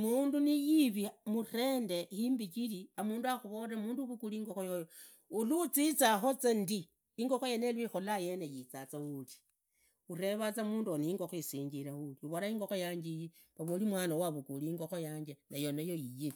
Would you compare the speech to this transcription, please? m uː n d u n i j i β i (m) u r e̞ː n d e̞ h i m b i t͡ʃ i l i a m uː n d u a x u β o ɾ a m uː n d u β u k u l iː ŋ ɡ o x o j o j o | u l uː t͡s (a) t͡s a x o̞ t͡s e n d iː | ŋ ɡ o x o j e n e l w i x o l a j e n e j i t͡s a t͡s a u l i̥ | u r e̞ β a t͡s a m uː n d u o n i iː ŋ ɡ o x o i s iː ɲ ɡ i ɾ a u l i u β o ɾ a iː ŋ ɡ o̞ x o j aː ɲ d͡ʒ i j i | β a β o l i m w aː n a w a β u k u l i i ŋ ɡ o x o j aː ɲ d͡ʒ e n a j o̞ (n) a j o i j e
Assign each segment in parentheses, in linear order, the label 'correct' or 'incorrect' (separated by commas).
correct, incorrect, correct